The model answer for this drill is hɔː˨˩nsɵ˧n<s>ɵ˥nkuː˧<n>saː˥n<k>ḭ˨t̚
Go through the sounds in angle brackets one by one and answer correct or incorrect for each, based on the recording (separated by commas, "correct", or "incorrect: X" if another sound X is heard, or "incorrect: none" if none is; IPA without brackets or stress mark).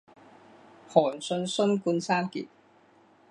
correct, correct, correct